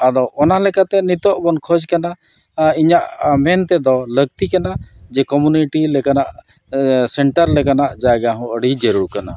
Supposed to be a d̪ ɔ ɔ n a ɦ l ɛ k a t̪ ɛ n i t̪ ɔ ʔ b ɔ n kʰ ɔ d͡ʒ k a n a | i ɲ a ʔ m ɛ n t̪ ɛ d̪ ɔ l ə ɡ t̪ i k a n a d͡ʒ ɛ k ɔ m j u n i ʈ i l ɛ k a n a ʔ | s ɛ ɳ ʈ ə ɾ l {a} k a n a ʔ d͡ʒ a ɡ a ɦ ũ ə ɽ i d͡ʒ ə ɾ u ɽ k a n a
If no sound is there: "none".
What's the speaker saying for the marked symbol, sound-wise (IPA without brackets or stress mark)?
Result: ɛ